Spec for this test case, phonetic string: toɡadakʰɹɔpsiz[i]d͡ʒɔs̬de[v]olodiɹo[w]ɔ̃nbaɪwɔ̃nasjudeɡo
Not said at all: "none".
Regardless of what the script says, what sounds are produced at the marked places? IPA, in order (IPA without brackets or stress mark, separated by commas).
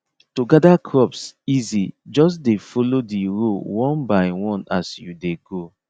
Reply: i, f, w